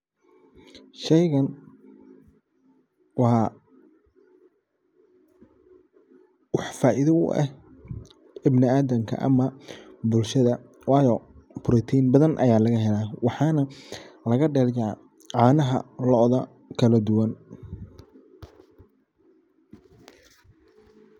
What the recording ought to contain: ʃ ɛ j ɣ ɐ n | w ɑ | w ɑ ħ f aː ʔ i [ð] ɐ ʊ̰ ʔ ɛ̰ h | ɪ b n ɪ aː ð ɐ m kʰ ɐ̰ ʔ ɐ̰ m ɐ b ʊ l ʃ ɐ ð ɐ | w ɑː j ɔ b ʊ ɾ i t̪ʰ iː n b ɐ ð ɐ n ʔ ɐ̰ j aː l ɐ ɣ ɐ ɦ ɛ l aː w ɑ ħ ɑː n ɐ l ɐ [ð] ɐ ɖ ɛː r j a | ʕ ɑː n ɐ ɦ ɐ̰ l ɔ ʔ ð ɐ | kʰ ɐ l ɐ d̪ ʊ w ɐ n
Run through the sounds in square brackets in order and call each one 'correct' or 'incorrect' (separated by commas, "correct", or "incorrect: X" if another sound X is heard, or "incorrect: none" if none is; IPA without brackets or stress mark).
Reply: correct, incorrect: ɣ